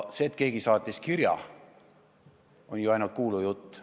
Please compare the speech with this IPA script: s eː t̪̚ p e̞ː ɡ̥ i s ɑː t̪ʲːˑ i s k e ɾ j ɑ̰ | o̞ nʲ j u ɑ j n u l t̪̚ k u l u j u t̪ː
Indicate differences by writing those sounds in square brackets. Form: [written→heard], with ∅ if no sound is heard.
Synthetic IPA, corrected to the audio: s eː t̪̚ [p→k] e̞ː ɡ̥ i s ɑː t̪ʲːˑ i s k [e→i] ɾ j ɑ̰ | o̞ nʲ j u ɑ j n u l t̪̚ k [u→uː] l u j u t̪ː

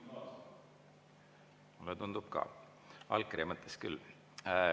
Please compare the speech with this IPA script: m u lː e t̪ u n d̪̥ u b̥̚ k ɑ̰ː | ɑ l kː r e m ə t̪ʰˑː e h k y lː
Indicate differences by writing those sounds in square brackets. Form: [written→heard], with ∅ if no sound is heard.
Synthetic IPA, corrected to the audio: m u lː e t̪ u n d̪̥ u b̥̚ k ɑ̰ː | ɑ l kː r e m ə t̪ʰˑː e [h→s] k y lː

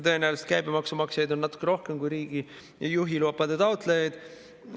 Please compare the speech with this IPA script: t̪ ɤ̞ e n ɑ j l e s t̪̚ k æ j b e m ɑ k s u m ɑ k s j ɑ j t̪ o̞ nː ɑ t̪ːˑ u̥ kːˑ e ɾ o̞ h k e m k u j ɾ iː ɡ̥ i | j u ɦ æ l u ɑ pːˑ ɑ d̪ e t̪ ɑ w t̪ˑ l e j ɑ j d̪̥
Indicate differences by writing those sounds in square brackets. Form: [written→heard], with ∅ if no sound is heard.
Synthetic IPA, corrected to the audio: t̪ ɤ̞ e n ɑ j l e s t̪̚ k æ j b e m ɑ k s u m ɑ k s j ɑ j [t̪→d̪] o̞ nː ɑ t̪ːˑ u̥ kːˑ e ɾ o̞ h k e m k u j ɾ iː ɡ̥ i | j u ɦ [æ→i] l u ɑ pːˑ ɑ d̪ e t̪ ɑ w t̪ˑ l e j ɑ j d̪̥

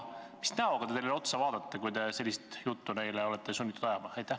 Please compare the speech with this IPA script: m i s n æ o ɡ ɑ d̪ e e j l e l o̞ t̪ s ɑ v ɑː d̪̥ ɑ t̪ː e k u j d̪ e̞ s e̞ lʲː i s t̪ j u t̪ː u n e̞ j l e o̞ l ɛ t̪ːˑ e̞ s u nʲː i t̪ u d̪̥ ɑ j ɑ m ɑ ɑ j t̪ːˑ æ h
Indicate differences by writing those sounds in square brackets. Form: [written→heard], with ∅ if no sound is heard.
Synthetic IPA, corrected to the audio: m i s n æ o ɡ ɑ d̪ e e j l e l o̞ t̪ s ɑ v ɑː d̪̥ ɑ t̪ː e k u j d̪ e̞ s e̞ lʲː i s t̪ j u t̪ː u n e̞ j l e o̞ l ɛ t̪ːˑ e̞ s u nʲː i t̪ u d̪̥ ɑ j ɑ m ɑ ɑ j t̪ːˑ æ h

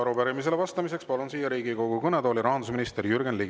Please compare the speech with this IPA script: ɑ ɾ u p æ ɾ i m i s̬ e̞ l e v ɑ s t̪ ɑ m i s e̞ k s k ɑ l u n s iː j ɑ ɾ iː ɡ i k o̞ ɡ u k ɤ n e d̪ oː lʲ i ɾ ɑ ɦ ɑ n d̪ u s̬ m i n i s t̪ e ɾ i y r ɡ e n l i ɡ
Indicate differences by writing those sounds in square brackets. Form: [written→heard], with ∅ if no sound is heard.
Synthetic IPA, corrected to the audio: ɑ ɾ u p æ ɾ i m i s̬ e̞ l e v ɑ s t̪ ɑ m i s e̞ k s [k→p] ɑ l u n s iː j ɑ ɾ iː ɡ i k o̞ ɡ u k ɤ n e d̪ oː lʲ i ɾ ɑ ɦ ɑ n d̪ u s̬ m i n i s t̪ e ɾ [i→j] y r ɡ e n l i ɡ

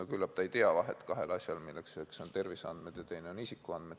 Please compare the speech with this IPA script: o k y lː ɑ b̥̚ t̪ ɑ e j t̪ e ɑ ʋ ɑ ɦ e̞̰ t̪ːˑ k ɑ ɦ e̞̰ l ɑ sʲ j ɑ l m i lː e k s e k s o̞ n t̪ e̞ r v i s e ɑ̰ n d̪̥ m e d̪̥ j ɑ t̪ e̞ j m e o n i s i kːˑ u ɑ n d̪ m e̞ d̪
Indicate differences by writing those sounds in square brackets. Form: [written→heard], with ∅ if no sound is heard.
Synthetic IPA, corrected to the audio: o k y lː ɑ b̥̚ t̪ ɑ e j t̪ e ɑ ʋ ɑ ɦ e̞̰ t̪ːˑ k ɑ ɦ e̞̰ l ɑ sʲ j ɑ l m i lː e k s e k s o̞ n t̪ e̞ r v i s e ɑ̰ n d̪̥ m e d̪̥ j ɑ t̪ e̞ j [m→n] e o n i s i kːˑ u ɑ n d̪ m e̞ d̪

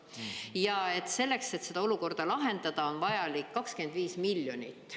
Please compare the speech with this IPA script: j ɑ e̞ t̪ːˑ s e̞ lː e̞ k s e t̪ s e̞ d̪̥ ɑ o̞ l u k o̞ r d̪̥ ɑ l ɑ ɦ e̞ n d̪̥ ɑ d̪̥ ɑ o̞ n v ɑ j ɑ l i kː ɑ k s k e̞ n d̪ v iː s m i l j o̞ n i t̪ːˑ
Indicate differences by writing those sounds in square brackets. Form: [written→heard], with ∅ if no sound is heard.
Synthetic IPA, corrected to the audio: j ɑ e̞ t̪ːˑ s e̞ lː e̞ k s e t̪ s e̞ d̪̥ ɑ o̞ l u k o̞ r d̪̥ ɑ l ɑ ɦ e̞ n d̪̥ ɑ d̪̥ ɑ o̞ n v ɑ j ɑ l i kː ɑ k s k e̞ n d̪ v iː s m i l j o̞ n i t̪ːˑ

